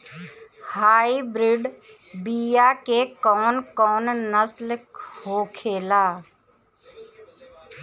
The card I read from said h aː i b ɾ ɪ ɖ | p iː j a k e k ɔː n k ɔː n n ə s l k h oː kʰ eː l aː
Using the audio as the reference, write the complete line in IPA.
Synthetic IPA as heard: h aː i b ɾ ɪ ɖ | b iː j a k e k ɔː n k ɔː n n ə s l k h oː kʰ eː l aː